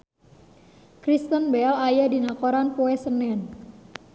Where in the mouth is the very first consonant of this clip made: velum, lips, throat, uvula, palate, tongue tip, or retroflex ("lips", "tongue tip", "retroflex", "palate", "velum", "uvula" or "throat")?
velum